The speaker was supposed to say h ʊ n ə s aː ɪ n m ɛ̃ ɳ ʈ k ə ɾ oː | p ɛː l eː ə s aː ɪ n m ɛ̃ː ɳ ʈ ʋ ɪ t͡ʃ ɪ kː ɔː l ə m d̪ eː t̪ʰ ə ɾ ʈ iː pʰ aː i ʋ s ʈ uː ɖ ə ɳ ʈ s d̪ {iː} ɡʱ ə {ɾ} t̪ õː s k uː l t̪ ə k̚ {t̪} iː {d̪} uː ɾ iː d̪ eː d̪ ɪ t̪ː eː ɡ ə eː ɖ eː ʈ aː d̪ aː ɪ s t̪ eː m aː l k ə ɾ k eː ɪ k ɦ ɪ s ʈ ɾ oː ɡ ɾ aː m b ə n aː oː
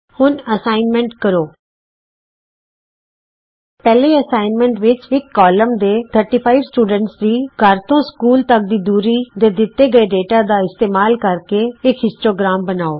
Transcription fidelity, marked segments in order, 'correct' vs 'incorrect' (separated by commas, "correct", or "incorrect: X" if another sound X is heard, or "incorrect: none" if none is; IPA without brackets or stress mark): correct, correct, incorrect: d̪, correct